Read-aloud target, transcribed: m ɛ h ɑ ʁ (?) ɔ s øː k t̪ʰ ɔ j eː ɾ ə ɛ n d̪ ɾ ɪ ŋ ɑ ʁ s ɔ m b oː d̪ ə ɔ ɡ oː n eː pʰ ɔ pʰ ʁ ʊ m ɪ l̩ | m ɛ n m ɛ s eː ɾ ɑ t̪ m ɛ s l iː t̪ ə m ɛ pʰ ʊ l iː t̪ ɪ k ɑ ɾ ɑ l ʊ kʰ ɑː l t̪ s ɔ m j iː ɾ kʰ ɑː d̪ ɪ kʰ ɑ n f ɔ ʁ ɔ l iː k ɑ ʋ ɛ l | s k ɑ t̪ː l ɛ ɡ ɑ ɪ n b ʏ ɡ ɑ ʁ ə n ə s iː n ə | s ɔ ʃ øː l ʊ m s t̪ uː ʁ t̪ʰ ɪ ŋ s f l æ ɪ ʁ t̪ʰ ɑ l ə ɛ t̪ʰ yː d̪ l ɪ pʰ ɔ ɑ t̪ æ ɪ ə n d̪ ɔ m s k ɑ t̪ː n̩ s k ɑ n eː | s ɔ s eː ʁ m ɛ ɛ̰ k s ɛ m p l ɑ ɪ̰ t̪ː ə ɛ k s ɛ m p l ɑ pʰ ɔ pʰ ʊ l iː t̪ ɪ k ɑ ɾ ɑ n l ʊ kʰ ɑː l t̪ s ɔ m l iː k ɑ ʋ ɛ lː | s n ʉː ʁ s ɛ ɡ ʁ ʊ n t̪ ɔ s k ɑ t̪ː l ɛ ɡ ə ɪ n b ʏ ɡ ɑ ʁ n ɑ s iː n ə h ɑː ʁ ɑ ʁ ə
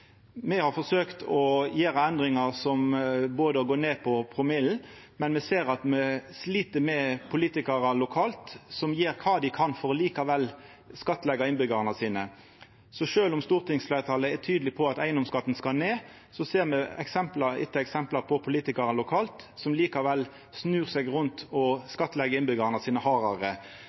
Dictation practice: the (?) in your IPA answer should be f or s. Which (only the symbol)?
f